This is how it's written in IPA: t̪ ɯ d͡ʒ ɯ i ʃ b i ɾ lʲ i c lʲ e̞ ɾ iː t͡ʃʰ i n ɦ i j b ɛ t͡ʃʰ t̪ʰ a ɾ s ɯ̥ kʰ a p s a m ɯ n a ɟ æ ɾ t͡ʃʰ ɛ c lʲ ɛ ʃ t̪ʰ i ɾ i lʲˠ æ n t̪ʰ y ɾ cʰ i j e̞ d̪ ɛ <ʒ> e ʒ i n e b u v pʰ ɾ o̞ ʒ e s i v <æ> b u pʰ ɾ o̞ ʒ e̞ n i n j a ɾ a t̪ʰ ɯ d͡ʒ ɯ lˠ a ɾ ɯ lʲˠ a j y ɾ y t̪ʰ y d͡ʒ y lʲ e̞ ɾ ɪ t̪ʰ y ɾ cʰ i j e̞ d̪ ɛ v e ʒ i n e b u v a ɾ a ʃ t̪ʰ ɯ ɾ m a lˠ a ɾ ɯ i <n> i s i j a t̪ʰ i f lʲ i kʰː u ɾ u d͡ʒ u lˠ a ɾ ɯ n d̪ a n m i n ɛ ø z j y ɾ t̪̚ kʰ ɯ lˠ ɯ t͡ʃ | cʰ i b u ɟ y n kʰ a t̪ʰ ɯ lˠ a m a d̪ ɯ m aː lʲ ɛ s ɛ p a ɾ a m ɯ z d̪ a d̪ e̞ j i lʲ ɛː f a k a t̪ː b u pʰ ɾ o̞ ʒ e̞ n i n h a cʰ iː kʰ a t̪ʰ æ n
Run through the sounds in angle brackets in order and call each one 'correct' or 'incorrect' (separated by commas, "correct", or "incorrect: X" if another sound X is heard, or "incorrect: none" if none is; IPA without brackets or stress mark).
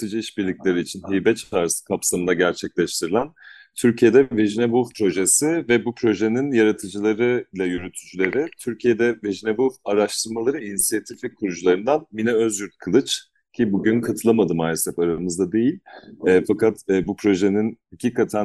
incorrect: v, incorrect: ɛ, correct